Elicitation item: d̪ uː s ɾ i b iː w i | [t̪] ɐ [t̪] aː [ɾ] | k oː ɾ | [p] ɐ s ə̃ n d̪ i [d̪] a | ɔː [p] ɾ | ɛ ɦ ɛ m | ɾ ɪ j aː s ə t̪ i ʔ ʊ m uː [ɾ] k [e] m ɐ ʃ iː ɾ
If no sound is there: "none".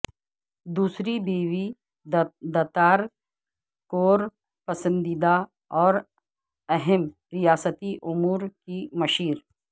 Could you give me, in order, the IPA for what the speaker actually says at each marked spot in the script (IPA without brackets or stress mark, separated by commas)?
d̪, t̪, ɾ, p, d̪, none, ɾ, i